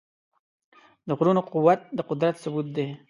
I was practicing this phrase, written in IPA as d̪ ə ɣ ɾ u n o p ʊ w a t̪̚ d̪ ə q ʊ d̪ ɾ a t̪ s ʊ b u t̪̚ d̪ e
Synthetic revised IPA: d̪ ə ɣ ɾ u n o q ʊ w a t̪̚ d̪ ə q ʊ d̪ ɾ a t̪ s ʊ b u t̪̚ d̪ e